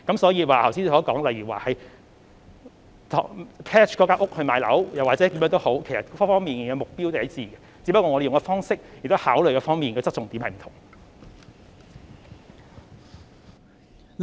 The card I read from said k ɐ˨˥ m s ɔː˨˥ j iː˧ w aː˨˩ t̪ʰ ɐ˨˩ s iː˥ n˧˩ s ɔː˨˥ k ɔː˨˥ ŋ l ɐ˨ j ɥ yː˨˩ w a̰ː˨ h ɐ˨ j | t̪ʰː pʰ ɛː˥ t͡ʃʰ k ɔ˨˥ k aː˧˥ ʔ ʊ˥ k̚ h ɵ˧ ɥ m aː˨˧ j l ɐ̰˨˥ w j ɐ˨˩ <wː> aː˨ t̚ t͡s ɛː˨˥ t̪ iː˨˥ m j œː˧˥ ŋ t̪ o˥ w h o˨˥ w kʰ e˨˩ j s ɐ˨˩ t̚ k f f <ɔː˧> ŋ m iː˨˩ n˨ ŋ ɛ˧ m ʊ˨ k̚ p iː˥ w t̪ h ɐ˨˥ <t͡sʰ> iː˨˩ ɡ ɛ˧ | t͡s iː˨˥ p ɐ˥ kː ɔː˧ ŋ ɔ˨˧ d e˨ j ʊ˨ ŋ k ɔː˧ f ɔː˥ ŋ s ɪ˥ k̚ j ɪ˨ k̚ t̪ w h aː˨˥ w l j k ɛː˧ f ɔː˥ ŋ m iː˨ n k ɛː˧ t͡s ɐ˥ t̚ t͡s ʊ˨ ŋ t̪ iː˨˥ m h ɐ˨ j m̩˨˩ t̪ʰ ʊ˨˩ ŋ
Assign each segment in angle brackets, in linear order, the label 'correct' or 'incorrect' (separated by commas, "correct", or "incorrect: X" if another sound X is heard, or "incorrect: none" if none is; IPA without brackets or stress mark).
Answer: incorrect: w, incorrect: ɔː˥, incorrect: t͡s